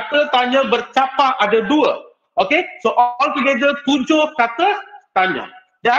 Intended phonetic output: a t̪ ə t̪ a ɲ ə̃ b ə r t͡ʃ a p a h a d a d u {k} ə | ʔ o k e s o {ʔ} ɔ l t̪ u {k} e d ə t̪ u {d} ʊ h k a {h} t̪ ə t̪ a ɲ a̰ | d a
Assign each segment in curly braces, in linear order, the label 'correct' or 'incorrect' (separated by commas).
incorrect, correct, incorrect, incorrect, incorrect